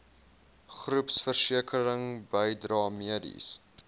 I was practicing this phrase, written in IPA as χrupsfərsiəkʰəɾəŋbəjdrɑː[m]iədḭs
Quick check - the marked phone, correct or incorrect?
correct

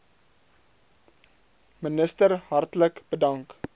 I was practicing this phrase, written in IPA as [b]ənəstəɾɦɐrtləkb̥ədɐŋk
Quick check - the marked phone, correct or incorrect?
incorrect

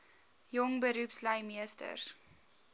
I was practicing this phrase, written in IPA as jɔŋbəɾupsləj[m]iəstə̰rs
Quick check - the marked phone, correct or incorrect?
correct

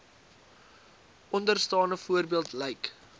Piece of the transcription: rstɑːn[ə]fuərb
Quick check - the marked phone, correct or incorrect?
correct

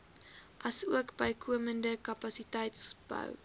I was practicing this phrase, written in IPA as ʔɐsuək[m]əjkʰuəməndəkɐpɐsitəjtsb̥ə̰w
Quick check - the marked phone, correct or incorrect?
incorrect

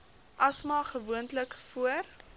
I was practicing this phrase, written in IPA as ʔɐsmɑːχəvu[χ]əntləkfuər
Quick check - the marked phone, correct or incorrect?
incorrect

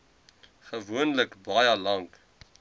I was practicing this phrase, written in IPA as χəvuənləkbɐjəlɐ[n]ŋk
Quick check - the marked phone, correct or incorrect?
incorrect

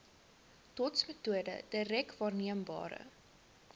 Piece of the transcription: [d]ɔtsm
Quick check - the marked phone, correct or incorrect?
incorrect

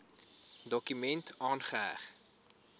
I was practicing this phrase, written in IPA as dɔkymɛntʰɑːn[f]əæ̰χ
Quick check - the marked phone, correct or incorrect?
incorrect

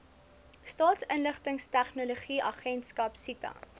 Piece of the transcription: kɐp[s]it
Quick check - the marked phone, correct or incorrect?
correct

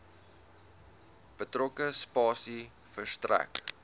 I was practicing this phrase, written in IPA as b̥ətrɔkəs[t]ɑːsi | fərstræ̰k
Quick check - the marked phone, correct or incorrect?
incorrect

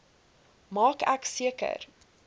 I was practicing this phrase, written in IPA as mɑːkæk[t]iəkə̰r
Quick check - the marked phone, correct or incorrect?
incorrect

